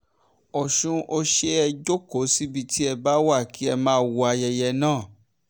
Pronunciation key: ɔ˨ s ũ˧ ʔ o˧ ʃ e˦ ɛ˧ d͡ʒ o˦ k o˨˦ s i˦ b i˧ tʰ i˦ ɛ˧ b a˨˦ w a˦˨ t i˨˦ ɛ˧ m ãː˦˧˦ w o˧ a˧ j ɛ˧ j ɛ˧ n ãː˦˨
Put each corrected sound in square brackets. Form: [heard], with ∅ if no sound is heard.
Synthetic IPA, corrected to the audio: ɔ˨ [ʃ] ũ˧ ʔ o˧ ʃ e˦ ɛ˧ d͡ʒ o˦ k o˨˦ s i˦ b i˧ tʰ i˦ ɛ˧ b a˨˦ w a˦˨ [k] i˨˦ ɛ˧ m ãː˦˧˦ w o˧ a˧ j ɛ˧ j ɛ˧ n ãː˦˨